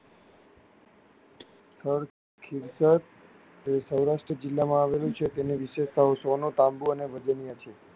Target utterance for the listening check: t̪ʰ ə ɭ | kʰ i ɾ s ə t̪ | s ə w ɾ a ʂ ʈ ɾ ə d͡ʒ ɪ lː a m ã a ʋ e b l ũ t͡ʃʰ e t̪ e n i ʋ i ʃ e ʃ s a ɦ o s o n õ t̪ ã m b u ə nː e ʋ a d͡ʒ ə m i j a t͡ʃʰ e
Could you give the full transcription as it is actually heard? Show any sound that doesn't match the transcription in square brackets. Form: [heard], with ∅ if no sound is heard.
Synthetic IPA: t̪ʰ ə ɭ | kʰ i ɾ s ə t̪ | s ə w ɾ a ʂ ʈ ɾ ə d͡ʒ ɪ lː a m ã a ʋ e [∅] l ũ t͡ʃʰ e t̪ e n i ʋ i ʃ e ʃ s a ɦ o s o n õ t̪ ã m b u ə [n] e ʋ [ə] d͡ʒ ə [n] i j a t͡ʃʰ e